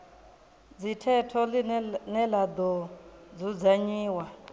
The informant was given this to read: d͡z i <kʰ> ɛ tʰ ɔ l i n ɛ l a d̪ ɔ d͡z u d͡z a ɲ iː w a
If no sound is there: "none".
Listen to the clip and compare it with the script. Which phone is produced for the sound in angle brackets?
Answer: tʰ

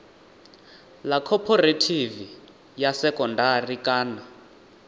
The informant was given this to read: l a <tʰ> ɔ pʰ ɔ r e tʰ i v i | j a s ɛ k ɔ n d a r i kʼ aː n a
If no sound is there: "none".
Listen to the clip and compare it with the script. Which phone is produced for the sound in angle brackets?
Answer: kʰ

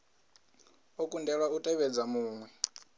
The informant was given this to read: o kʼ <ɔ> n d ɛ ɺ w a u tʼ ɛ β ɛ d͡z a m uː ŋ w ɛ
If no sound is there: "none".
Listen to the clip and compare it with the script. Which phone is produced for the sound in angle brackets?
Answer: u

